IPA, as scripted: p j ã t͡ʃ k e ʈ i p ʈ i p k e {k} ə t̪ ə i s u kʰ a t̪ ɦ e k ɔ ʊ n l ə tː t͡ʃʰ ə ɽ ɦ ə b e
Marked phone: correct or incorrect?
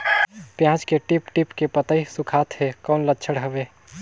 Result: incorrect